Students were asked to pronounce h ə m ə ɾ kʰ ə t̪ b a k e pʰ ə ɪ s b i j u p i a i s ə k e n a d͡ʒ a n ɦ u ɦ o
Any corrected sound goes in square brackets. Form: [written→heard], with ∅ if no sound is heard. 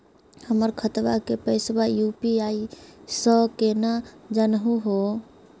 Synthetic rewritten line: h ə m ə ɾ kʰ ə t̪ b a k e [pʰ→p] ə ɪ s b [i→a] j u p i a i s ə k e n a d͡ʒ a n ɦ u ɦ o